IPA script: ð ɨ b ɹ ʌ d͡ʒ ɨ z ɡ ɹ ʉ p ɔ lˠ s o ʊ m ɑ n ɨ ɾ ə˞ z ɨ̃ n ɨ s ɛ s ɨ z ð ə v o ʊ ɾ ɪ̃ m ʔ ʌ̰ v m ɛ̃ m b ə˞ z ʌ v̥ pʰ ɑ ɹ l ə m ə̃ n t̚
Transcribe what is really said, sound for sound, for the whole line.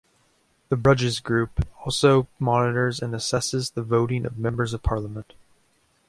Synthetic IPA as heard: ð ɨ b ɹ ʌ d͡ʒ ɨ z ɡ ɹ ʉ p ɔ lˠ s o ʊ m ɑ n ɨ ɾ ə˞ z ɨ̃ n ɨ s ɛ s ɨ z ð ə v o ʊ ɾ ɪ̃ ŋ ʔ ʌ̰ v m ɛ̃ m b ə˞ z ʌ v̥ pʰ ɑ ɹ l ə m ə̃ n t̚